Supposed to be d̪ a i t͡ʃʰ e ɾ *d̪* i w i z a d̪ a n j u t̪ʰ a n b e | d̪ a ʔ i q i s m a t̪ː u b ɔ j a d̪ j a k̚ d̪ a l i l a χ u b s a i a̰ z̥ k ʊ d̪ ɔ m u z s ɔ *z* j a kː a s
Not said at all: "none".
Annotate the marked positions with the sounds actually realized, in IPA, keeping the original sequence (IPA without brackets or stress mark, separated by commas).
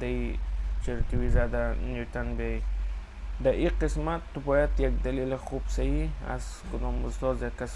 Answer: t̪, z